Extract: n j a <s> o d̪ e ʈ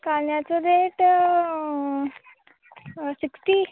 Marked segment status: incorrect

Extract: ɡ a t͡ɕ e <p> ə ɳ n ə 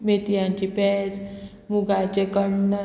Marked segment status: incorrect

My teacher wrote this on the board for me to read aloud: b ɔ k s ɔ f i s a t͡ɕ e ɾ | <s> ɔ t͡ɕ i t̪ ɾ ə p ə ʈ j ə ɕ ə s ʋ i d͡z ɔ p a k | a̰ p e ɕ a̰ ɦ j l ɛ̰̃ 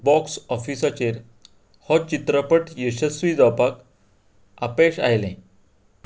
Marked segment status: incorrect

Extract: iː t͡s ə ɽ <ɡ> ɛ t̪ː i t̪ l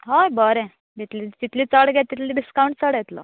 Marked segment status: correct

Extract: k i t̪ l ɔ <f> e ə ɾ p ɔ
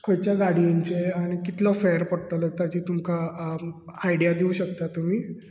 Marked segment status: correct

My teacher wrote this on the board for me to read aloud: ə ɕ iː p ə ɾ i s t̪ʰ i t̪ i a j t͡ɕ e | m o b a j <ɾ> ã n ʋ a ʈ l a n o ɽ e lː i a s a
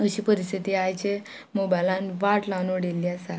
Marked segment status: incorrect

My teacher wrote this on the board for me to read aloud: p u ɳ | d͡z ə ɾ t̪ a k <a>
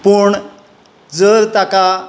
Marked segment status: correct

